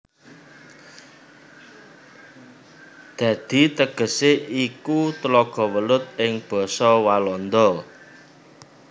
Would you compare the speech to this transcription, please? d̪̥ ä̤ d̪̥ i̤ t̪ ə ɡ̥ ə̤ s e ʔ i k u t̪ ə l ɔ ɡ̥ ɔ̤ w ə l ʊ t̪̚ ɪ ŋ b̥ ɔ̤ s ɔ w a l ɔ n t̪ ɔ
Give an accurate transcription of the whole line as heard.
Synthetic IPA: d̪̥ ä̤ d̪̥ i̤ t̪ ə ɡ̥ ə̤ s e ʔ i k u t̪ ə l ɔ ɡ̥ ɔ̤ w ə l ʊ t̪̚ ɪ ŋ b̥ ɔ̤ s ɔ w a l ɔ n d̪ ɔ